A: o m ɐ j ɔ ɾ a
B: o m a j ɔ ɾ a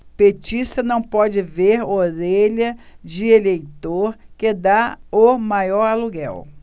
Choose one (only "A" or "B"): B